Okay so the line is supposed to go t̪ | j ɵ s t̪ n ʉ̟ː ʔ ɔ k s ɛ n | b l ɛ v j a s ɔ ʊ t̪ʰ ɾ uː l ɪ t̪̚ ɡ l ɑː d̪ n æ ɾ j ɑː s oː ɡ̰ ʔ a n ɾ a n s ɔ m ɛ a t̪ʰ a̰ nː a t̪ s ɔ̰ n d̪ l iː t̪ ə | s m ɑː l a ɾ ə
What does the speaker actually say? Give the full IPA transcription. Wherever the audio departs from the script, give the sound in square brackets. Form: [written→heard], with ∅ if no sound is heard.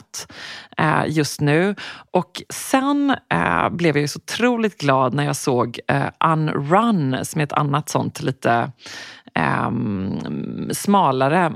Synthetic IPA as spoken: t̪ | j ɵ s t̪ n ʉ̟ː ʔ ɔ k s ɛ n | b l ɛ v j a s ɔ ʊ t̪ʰ ɾ uː l ɪ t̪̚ ɡ l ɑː d̪ n æ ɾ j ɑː s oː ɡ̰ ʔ a n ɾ a n s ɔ m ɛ [a→ɛ] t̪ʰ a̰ nː a t̪ s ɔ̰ n [d̪→t̪] l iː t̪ ə | s m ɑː l a ɾ ə